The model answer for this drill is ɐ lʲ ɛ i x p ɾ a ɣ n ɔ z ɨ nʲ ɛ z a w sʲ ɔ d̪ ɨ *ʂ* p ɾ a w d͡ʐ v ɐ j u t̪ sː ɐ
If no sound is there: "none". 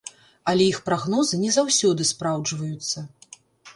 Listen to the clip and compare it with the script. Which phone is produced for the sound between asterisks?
s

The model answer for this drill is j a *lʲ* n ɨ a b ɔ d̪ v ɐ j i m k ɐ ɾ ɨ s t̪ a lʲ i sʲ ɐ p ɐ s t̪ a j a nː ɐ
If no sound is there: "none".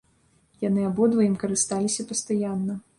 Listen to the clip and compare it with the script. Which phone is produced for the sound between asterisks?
none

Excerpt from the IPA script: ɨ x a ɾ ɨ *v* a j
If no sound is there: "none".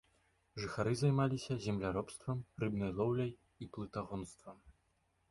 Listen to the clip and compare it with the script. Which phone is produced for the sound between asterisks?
z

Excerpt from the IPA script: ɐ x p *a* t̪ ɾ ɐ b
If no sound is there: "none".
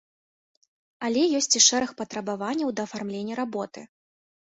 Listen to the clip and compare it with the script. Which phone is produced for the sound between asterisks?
ɐ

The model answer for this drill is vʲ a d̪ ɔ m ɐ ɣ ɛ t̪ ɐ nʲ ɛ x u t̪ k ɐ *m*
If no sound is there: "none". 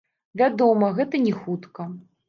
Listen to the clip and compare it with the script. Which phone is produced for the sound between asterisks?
none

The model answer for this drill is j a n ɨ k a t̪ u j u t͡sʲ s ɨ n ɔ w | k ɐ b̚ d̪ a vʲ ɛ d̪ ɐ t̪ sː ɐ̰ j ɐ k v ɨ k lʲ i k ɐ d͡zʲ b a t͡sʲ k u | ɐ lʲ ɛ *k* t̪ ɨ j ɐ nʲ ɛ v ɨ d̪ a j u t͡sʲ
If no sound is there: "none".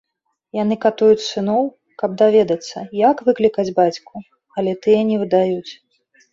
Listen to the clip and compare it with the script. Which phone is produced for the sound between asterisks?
none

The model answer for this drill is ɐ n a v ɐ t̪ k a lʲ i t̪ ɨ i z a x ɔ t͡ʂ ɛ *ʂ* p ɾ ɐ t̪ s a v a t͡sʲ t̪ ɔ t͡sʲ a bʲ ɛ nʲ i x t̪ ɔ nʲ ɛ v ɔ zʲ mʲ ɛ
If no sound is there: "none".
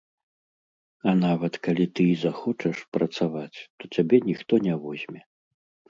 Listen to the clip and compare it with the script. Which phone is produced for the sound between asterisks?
ʂ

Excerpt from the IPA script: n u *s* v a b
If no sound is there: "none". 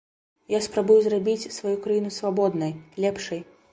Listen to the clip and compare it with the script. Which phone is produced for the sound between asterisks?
s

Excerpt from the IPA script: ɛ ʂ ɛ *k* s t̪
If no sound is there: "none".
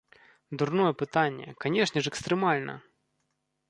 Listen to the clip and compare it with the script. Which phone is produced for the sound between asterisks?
k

